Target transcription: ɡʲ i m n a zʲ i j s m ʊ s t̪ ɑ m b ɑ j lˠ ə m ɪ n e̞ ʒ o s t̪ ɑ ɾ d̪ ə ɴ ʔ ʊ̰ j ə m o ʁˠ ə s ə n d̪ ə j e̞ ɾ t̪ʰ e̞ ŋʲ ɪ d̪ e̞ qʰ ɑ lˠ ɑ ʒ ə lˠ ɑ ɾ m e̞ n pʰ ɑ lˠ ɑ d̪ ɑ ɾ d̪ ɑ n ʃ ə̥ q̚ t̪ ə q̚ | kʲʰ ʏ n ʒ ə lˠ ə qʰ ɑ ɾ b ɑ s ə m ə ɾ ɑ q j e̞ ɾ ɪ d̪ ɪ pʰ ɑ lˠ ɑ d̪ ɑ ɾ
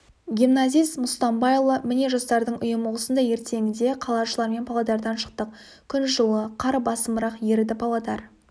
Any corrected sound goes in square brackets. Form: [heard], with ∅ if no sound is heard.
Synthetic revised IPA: ɡʲ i m n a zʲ i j s m ʊ s t̪ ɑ m b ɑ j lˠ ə m ɪ n e̞ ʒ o s t̪ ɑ ɾ d̪ ə ɴ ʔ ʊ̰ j ə m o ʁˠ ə s ə n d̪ [ɑ] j e̞ ɾ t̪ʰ e̞ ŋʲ ɪ d̪ e̞ qʰ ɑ lˠ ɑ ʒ ə lˠ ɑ ɾ m e̞ n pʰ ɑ lˠ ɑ d̪ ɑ ɾ d̪ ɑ n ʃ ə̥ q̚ t̪ ə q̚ | kʲʰ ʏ n ʒ ə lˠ ə qʰ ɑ ɾ b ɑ s ə m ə ɾ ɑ q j e̞ ɾ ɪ d̪ ɪ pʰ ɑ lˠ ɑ d̪ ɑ ɾ